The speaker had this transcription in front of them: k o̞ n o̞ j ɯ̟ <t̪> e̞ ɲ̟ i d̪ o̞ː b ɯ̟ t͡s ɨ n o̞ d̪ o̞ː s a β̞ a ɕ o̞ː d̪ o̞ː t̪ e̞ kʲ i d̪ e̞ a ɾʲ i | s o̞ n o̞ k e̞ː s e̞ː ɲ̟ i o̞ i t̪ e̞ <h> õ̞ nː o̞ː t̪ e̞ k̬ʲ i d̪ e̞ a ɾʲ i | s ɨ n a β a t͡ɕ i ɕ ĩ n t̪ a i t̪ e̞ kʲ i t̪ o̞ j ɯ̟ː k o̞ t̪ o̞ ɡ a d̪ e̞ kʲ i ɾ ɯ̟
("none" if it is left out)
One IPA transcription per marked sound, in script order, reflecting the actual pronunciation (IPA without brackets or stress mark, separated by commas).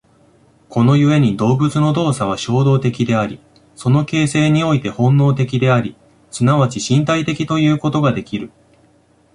none, h